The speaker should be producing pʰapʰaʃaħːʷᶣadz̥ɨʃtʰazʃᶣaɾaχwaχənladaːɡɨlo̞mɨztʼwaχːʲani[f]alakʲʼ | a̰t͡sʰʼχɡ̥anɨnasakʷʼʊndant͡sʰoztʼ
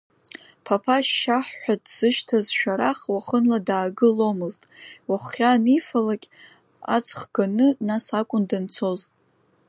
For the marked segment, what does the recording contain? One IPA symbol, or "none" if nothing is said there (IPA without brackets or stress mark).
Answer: f